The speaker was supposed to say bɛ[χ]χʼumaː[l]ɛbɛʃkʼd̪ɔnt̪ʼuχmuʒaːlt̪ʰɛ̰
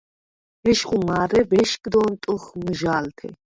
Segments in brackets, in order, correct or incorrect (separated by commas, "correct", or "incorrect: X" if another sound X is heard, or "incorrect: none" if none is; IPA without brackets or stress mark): incorrect: ʃ, incorrect: ɾ